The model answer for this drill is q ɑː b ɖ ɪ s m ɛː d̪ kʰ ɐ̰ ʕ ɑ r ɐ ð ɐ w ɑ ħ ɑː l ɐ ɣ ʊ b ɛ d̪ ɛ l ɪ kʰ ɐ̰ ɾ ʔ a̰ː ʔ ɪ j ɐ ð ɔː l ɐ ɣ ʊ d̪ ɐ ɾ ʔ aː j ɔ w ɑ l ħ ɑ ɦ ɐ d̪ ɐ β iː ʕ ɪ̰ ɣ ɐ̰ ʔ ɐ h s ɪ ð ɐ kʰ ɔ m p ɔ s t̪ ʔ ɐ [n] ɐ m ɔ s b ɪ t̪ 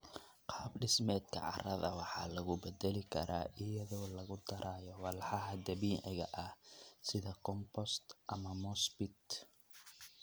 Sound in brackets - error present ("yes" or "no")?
yes